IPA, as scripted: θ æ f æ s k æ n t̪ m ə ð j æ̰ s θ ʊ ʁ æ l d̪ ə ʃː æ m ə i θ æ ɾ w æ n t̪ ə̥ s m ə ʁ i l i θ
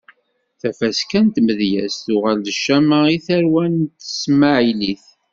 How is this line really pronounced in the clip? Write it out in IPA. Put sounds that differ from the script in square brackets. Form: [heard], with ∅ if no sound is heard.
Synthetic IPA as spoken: θ æ f æ s k æ n t̪ m ə ð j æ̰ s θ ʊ ʁ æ l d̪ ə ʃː æ m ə i θ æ ɾ w æ n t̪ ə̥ s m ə [ʕ] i l i θ